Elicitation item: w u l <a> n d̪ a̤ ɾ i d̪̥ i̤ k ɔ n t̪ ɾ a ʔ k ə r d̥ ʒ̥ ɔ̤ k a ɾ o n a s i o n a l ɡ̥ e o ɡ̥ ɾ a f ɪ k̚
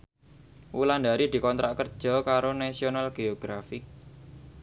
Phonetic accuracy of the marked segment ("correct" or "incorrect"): correct